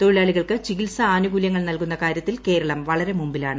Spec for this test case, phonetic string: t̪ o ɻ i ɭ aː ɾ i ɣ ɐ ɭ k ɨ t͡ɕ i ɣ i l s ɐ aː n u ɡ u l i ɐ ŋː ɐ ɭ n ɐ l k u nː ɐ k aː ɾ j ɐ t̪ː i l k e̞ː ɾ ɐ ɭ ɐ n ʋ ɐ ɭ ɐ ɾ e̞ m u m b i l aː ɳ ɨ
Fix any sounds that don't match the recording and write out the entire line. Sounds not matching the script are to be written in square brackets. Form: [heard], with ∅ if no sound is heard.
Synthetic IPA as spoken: t̪ o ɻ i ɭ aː [ɭ] i ɣ ɐ ɭ k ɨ t͡ɕ i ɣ i l s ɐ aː n u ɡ u l [j] ɐ ŋː ɐ ɭ n ɐ l k u nː ɐ k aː ɾ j ɐ t̪ː i l k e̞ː ɾ ɐ ɭ ɐ [m] ʋ ɐ ɭ ɐ ɾ e̞ m u m b i l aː ɳ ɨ